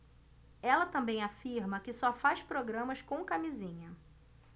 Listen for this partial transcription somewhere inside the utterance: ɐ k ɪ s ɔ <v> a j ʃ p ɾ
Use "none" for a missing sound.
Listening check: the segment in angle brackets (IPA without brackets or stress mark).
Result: f